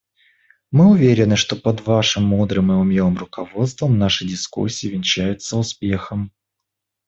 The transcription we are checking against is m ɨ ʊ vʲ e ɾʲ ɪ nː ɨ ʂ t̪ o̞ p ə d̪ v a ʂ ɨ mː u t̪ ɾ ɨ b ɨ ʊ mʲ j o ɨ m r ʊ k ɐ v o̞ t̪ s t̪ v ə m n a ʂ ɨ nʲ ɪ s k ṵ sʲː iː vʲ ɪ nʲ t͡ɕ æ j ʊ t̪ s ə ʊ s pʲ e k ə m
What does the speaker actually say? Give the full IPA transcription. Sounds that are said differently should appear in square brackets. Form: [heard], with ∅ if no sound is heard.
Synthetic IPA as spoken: m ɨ ʊ vʲ e ɾʲ ɪ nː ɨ ʂ t̪ o̞ p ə d̪ v a ʂ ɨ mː u [d̪] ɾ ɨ [m] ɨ ʊ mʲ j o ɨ m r ʊ k ɐ v o̞ t̪ s t̪ v ə m n a ʂ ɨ [dʲ] ɪ s k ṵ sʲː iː vʲ ɪ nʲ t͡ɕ æ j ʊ t̪ s ə ʊ s pʲ e [x] ə m